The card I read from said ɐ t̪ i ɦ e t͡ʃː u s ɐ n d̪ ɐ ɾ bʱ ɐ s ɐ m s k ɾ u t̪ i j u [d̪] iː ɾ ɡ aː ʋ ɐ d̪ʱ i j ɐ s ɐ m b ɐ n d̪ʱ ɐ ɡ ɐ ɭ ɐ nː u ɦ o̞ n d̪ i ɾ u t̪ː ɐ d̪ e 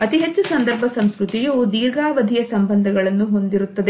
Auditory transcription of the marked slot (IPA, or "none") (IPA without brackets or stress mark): d̪